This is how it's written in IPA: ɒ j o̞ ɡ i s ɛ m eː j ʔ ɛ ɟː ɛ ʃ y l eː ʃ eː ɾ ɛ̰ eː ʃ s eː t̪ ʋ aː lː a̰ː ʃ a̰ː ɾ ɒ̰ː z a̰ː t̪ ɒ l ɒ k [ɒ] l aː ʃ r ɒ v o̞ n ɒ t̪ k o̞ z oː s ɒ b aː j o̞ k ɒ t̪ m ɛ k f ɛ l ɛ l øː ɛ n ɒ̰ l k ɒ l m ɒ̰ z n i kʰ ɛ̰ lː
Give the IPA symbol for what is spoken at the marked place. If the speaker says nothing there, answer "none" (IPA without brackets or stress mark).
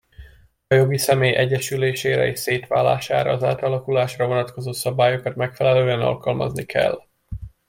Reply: u